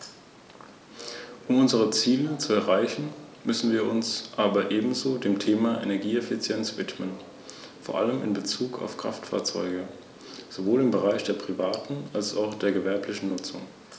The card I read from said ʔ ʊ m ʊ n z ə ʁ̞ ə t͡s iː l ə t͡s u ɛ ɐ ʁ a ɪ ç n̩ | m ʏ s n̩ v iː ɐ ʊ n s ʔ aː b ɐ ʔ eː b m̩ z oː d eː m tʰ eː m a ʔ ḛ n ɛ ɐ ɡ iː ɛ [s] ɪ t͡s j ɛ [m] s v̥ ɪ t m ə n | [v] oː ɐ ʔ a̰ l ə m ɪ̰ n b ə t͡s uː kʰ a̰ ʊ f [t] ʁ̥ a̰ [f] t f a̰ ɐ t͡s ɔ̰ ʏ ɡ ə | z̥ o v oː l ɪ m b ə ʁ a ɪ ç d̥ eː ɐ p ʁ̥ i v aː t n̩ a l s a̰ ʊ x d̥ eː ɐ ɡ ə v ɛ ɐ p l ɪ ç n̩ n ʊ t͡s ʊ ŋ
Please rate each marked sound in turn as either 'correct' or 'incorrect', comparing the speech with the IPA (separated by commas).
incorrect, incorrect, incorrect, incorrect, correct